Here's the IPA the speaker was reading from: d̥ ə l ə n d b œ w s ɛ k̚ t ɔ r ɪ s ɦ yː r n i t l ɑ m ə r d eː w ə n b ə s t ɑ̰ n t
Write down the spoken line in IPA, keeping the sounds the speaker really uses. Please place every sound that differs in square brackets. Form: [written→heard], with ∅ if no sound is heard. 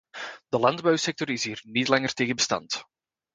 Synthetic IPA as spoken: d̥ ə l [ə→ɑ] n d b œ w s ɛ k̚ t ɔ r ɪ s ɦ [yː→iː] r n i t l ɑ [m→ŋ] ə r [d→t] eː [w→ɣ] ə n b ə s t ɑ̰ n t